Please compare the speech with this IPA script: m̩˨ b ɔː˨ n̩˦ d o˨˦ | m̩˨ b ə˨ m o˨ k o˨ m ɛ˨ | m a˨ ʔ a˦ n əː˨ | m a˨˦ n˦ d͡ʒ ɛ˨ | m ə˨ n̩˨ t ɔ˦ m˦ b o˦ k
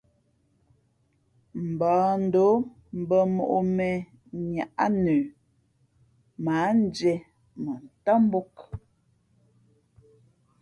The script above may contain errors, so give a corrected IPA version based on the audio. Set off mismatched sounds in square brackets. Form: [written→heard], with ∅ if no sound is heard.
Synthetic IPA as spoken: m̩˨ b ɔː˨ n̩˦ d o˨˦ | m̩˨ b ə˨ m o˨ [k→ʔ] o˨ m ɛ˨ | [m→ɲ] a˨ ʔ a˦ n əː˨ | m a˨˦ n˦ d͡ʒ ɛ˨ | m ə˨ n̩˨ t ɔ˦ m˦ b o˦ k